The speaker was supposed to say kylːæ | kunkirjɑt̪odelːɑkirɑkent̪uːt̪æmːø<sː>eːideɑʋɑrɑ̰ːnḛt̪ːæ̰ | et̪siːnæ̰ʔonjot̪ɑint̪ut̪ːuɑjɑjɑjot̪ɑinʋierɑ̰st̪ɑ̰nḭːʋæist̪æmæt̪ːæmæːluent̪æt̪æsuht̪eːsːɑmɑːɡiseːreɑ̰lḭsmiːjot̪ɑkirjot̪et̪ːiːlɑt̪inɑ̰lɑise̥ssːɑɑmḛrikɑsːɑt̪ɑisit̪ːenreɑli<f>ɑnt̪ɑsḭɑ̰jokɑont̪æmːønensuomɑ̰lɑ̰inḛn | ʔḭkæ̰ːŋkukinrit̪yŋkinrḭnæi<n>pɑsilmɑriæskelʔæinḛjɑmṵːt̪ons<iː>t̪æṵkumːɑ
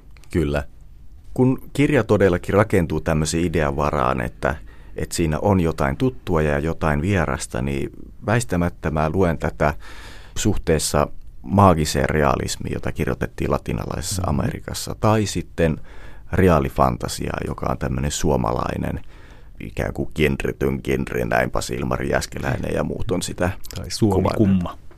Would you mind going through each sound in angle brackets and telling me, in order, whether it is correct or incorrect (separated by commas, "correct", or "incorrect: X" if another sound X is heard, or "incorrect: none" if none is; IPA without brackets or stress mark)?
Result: incorrect: s, correct, incorrect: m, incorrect: i